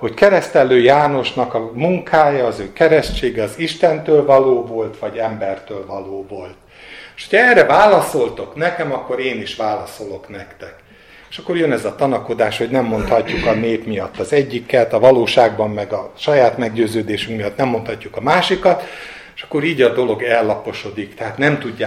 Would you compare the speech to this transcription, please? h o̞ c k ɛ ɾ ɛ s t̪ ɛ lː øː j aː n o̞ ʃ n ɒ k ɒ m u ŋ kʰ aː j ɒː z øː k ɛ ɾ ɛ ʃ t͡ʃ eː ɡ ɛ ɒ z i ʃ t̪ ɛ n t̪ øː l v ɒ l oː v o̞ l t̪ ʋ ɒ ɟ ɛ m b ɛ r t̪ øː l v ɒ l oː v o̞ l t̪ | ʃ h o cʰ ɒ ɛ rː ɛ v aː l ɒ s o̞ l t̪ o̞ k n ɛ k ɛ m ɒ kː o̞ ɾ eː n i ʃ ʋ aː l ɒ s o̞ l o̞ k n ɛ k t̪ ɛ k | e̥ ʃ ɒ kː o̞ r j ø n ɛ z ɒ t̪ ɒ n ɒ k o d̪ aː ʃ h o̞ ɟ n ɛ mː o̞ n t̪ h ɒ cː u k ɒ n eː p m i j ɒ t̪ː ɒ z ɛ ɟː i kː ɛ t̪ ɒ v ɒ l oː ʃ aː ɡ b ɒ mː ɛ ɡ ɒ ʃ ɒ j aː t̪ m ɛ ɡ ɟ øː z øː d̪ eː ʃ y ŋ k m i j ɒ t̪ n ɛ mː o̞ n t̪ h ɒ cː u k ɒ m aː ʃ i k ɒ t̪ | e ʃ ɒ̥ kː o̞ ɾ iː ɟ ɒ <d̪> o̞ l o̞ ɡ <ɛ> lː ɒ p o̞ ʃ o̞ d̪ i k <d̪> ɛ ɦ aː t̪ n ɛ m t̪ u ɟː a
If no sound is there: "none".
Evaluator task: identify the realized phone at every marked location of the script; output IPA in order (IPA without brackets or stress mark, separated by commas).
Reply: d̪, ɛ, t̪